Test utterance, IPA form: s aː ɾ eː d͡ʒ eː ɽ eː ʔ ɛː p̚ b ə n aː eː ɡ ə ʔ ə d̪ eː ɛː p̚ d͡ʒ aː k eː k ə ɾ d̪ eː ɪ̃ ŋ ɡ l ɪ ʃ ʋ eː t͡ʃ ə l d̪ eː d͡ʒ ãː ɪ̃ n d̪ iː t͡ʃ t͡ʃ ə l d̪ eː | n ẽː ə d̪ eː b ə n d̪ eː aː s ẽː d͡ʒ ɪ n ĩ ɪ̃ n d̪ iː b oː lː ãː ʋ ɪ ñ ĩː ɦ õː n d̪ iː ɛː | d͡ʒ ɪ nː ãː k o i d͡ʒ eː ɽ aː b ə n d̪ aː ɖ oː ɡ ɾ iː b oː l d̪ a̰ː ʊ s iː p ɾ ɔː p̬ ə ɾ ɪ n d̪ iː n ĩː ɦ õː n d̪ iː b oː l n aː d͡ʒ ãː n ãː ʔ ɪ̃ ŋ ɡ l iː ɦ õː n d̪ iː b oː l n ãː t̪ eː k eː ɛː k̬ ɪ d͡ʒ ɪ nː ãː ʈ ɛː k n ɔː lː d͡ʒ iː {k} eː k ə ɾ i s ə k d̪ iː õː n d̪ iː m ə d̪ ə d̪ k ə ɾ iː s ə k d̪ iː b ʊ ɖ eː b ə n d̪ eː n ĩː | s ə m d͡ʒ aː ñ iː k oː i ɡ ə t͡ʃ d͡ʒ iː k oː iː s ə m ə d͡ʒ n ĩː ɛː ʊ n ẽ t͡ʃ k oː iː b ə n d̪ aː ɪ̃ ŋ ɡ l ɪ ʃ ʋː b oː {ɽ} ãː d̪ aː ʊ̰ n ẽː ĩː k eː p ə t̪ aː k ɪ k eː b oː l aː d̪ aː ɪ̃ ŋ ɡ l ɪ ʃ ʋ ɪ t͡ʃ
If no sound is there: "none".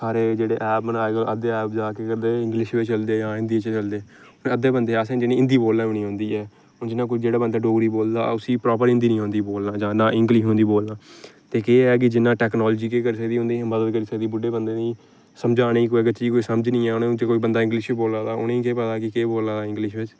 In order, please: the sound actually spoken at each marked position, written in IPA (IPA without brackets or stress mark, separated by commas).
k, l